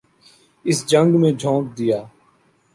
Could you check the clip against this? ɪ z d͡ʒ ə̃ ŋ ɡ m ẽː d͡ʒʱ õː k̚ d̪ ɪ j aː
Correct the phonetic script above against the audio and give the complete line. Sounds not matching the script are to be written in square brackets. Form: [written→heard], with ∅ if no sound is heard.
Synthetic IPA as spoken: ɪ [z→s] d͡ʒ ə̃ ŋ ɡ m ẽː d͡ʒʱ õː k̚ d̪ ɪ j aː